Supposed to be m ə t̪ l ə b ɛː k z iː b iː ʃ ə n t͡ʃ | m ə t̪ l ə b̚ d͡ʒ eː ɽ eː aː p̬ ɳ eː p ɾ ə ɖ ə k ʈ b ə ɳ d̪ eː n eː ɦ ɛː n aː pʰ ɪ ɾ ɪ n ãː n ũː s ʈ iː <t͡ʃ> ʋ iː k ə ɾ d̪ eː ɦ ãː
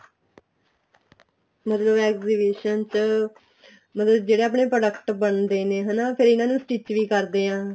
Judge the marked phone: correct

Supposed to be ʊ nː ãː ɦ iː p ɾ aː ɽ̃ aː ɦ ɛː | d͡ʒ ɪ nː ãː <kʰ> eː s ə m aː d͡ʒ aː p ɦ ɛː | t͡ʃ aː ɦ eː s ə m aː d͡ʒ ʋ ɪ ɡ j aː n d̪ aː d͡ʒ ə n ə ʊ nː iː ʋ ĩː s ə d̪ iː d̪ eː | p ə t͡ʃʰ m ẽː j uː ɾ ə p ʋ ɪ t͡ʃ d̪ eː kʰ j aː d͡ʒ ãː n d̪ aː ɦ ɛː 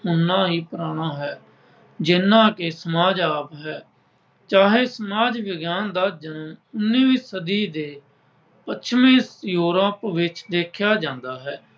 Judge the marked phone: incorrect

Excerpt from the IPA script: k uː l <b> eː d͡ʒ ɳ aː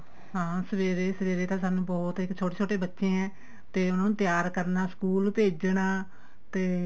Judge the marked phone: incorrect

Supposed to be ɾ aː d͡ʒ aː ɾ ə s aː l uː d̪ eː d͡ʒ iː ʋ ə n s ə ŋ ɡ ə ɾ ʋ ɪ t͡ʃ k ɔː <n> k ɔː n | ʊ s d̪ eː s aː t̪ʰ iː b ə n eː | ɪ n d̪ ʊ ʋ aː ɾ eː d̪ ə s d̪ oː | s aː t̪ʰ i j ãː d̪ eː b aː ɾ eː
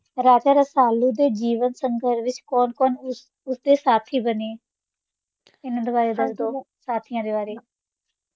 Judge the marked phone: correct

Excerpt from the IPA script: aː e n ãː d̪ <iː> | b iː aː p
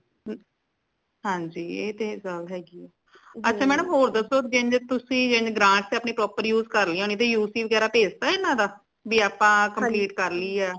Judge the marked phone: incorrect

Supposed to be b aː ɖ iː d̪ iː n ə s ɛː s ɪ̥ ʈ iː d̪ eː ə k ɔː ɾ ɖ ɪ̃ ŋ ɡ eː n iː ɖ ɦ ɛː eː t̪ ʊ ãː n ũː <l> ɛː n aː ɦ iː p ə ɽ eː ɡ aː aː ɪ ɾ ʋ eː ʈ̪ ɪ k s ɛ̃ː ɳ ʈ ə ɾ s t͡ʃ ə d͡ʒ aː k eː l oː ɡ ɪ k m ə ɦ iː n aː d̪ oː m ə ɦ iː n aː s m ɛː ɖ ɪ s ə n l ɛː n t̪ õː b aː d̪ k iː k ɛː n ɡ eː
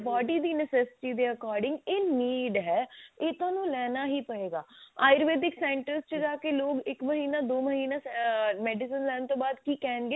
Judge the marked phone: correct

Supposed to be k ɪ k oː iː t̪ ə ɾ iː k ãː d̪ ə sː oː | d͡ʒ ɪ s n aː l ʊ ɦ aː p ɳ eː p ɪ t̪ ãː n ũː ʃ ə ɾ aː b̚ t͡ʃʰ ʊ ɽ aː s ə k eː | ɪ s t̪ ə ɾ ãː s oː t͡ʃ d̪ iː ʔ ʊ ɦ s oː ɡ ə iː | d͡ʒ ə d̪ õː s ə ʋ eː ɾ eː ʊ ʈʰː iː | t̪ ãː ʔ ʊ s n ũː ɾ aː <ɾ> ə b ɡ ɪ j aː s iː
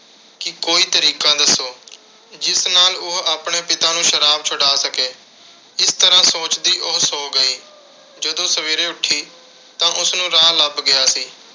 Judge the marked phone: incorrect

